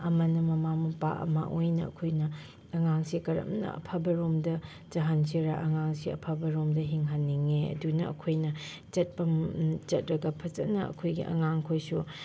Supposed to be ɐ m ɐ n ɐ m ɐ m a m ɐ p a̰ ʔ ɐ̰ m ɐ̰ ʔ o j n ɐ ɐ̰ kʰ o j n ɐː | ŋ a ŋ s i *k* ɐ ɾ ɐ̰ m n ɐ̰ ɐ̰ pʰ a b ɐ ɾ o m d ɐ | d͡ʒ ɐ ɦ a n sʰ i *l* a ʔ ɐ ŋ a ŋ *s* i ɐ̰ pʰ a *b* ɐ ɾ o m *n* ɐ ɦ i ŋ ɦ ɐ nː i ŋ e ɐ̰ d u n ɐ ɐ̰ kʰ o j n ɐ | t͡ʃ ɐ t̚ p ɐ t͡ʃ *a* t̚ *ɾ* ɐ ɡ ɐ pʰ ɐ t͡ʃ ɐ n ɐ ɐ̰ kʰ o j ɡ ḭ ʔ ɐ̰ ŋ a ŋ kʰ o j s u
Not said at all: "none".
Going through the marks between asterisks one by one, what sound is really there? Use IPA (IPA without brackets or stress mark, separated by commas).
k, ɾ, s, b, d, ɐ, ɾ